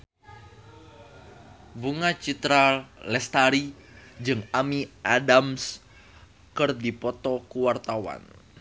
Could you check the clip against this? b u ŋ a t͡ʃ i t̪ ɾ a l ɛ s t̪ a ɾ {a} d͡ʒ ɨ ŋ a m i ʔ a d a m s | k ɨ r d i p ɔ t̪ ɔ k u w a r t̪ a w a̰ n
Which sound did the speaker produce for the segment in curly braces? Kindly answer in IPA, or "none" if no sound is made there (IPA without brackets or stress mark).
i